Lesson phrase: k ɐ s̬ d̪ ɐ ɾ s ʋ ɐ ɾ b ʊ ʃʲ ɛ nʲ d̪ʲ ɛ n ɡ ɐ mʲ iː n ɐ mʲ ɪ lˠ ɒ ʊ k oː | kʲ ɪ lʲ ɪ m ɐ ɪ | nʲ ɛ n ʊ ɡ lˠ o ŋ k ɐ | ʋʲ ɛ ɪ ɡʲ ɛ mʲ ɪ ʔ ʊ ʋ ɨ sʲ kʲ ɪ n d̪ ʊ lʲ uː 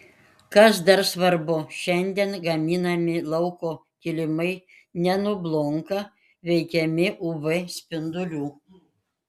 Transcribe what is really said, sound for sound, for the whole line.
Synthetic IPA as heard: k ɐ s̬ d̪ ɐ ɾ s ʋ ɐ ɾ b ʊ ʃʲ ɛ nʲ d̪ʲ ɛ n ɡ ɐ mʲ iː n ɐ mʲ ɪ lˠ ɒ ʊ k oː | kʲ ɪ lʲ ɪ m ɐ ɪ | nʲ ɛ n ʊ b lˠ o ŋ k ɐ | ʋʲ ɛ ɪ kʲ ɛ mʲ ɪ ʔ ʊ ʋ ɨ sʲ pʲ ɪ n d̪ ʊ lʲ uː

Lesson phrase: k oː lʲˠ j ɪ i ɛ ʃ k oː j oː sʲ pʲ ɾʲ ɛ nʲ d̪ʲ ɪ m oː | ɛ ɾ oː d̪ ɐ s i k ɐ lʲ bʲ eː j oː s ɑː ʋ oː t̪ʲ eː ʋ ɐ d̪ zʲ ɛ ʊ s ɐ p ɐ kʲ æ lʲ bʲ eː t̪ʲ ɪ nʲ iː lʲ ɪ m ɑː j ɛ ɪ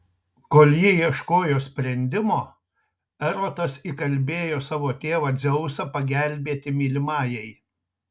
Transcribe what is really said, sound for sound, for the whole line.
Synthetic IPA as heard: k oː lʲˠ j ɪ i ɛ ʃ k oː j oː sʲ pʲ ɾʲ ɛ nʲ d̪ʲ ɪ m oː | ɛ ɾ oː t̪ ɐ s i k ɐ lʲ bʲ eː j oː s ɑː ʋ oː t̪ʲ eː ʋ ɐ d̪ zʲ ɛ ʊ s ɐ p ɐ ɡʲ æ lʲ bʲ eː t̪ʲ ɪ mʲ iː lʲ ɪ m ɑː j ɛ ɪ

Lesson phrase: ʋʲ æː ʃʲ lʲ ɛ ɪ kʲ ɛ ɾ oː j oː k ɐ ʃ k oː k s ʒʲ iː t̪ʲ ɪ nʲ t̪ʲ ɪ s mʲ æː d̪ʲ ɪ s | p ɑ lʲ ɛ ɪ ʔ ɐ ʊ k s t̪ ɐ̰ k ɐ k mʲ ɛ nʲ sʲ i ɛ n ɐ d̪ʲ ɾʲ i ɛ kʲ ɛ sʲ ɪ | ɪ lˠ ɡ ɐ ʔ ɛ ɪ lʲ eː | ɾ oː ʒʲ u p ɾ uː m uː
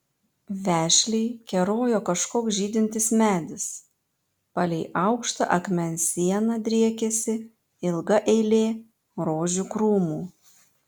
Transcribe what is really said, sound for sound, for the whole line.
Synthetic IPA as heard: ʋʲ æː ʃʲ lʲ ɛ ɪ kʲ ɛ ɾ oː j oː k ɐ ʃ k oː k s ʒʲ iː d̪ʲ ɪ nʲ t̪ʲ ɪ s mʲ æː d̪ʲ ɪ s | p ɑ lʲ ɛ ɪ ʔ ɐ ʊ k ʃ t̪ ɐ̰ ʔ ɐ k mʲ ɛ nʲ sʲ i ɛ n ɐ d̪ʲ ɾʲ i ɛ kʲ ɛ sʲ ɪ | ɪ lˠ ɡ ɐ ʔ ɛ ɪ lʲ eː | ɾ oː ʒʲ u k ɾ uː m uː

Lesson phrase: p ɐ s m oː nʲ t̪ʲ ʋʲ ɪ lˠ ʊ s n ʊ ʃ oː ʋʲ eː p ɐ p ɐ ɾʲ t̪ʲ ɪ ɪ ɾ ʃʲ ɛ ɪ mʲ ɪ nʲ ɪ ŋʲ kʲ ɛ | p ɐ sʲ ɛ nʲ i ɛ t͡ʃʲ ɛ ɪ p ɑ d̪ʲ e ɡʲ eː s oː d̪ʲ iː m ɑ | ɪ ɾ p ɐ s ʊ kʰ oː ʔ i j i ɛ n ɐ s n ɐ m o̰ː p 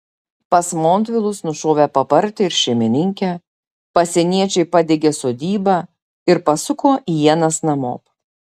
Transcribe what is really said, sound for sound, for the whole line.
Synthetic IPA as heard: p ɐ s m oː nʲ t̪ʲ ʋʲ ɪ lˠ ʊ s n ʊ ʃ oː ʋʲ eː p ɐ p ɐ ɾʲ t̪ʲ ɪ ɪ ɾ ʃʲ ɛ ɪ mʲ ɪ nʲ ɪ ŋʲ kʲ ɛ | p ɐ sʲ ɛ nʲ i ɛ t͡ʃʲ ɛ ɪ p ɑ d̪ʲ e ɡʲ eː s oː d̪ʲ iː b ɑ | ɪ ɾ p ɐ s ʊ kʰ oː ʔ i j i ɛ n ɐ s n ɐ m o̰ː p

